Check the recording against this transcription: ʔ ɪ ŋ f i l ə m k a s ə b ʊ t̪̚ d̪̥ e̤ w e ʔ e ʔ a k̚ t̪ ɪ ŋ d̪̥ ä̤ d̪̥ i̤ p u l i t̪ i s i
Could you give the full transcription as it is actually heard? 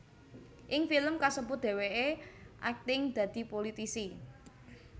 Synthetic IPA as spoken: ʔ ɪ ŋ f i l ə m k a s ə b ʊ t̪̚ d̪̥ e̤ w e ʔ e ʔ a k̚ t̪ ɪ ŋ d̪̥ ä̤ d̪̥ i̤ p o l i t̪ i s i

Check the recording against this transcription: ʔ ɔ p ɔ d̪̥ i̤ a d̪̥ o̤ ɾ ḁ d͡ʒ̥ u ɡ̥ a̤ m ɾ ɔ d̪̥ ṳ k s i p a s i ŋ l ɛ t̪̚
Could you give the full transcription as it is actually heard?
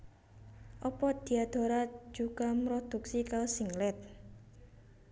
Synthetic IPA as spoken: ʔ ɔ p ɔ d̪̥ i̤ a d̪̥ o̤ ɾ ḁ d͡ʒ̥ u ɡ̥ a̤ m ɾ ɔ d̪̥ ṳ k s i k a s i ŋ l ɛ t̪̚

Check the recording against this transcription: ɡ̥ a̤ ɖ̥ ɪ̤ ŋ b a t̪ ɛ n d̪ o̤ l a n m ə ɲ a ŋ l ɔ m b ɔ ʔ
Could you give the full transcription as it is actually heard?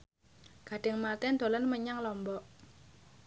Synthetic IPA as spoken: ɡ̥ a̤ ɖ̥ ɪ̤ ŋ m a t̪ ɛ n d̪ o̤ l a n m ə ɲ a ŋ l ɔ m b ɔ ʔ

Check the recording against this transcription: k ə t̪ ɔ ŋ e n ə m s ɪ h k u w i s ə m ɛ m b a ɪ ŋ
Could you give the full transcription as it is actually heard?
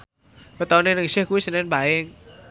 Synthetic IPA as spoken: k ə t̪ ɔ n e n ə ŋ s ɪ h k u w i s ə n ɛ n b a ɪ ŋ

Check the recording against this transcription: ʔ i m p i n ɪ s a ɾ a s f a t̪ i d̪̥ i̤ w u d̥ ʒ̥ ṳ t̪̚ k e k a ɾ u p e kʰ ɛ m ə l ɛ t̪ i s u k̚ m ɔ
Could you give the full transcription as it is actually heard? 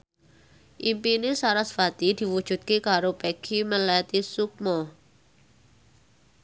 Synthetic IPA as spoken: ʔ i m p i n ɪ s a ɾ a s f a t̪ i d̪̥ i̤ w u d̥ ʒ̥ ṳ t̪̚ k e k a ɾ o p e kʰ i m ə l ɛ t̪ i s u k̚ m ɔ

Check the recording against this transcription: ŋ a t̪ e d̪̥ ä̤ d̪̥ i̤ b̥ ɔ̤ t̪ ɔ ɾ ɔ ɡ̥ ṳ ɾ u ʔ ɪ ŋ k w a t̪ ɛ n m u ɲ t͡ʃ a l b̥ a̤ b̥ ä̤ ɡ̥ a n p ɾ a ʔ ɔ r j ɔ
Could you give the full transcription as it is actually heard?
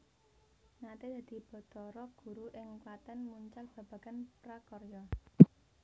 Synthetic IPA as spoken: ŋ a t̪ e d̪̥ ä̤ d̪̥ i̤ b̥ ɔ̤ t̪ ɔ ɾ ɔ ɡ̥ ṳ ɾ u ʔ ɪ ŋ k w a t̪ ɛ n m u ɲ t͡ʃ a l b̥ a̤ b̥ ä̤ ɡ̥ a n p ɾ a k ɔ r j ɔ

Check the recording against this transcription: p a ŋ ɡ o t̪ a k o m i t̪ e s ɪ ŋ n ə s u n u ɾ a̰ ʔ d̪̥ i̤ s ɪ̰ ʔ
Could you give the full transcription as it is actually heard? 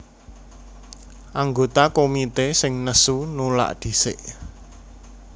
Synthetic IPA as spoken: ʔ a ŋ ɡ o t̪ a k o m i t̪ e s ɪ ŋ n ə s u n u l a̰ ʔ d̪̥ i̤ s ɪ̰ ʔ

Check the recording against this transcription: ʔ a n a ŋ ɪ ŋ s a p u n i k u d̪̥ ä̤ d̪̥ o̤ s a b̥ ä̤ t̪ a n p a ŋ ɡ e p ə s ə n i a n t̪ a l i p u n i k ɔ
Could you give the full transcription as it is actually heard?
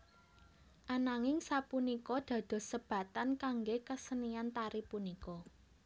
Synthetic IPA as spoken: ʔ a n a ŋ ɪ ŋ s a p u n i k ɔ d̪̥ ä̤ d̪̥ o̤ s ə b̥ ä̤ t̪ a n k a ŋ ɡ e k ə s ə n i a n t̪ a ɾ i p u n i k ɔ

